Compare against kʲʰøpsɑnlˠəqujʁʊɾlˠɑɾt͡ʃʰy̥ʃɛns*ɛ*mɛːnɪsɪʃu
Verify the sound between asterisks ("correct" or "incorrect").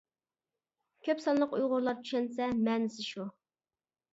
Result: correct